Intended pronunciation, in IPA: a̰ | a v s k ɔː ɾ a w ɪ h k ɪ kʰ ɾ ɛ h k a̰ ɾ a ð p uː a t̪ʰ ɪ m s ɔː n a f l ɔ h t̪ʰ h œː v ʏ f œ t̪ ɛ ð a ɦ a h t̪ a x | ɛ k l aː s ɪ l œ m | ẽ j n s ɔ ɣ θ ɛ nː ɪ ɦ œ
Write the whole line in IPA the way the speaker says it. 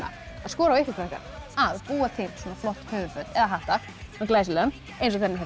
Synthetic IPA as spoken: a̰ | a ð s k ɔː ɾ a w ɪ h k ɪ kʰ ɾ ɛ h k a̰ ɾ a ð p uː a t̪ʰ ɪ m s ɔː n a f l ɔ h t̪ h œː v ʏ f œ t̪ ɛ ð a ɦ a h t̪ a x | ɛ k l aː s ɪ l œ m | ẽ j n s ɔ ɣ θ ɛ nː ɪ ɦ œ